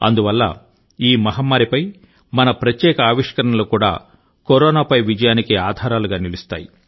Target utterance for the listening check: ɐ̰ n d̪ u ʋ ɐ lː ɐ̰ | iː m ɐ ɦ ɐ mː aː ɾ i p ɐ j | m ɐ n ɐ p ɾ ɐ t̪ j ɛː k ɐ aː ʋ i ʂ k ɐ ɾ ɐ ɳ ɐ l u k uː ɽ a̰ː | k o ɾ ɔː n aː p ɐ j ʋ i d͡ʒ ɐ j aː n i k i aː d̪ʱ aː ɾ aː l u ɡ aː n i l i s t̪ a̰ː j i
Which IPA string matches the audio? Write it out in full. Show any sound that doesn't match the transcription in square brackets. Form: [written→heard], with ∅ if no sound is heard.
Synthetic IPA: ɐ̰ n d̪ u ʋ ɐ lː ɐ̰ | iː m ɐ ɦ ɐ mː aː ɾ i p ɐ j | m ɐ n ɐ p ɾ ɐ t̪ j ɛː k ɐ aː ʋ i ʂ k ɐ ɾ ɐ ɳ ɐ l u k uː ɽ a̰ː | k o ɾ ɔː n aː p ɐ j ʋ i d͡ʒ ɐ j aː n i k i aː d̪ʱ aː ɾ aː l u ɡ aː n i l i s t̪ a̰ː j i